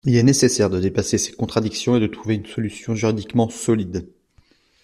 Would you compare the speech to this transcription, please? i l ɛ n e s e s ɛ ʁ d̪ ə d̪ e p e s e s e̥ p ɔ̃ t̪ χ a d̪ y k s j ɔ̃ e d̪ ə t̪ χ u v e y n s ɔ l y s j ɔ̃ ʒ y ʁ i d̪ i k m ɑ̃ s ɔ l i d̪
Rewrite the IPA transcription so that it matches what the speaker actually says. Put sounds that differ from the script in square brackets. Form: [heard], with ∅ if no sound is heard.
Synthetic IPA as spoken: i l ɛ n e s e s ɛ ʁ d̪ ə d̪ e p [a] s e s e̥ [k] ɔ̃ t̪ χ a d̪ [i] k s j ɔ̃ e d̪ ə t̪ χ u v e y n s ɔ l y s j ɔ̃ ʒ y ʁ i d̪ i k m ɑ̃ s ɔ l i d̪

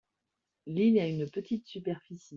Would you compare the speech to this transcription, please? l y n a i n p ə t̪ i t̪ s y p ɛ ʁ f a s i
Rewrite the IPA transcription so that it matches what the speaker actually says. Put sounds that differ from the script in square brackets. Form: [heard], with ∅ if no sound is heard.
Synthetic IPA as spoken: l [i] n a [y] n p ə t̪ i t̪ s y p ɛ ʁ f [i] s i

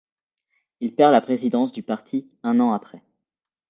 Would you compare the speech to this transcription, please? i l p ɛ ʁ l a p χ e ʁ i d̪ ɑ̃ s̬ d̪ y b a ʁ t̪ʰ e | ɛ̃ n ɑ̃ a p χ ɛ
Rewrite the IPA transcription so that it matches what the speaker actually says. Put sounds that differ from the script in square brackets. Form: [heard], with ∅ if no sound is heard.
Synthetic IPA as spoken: i l p ɛ ʁ l a p χ e [z] i d̪ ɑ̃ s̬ d̪ y [p] a ʁ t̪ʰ [i] | ɛ̃ n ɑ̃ a p χ ɛ

